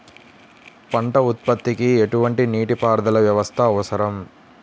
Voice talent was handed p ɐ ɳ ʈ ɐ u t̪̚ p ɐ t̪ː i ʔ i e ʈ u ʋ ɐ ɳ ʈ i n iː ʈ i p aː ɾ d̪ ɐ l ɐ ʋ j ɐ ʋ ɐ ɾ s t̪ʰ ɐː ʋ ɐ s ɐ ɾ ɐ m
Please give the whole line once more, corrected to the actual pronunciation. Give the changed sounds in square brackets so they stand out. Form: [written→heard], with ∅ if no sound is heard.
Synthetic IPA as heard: p ɐ ɳ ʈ ɐ u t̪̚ p ɐ t̪ː i [ʔ→k] i e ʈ u ʋ ɐ ɳ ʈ i n iː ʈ i p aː ɾ d̪ ɐ l ɐ ʋ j ɐ ʋ ɐ [ɾ→∅] s t̪ʰ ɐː ʋ ɐ s ɐ ɾ ɐ m